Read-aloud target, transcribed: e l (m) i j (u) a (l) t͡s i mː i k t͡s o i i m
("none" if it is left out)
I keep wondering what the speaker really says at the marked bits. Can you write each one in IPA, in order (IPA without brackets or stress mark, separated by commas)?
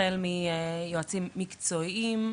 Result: m, o, none